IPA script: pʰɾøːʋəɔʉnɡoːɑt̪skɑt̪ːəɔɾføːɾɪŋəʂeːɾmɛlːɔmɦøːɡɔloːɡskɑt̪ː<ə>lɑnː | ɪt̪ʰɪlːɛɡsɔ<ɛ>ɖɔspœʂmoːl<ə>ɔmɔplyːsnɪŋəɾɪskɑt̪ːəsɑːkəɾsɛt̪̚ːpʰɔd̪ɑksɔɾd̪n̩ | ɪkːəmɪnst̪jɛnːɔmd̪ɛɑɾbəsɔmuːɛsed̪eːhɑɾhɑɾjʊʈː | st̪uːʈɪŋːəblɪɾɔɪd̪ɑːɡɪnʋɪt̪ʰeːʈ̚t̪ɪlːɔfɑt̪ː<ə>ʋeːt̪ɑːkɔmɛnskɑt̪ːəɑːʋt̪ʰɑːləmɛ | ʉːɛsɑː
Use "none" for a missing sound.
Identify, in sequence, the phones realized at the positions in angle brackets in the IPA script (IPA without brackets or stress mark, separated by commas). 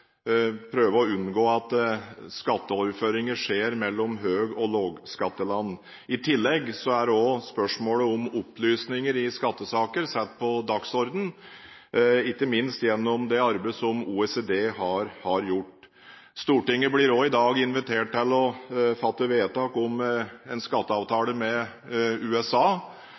ə, æ, ə, ə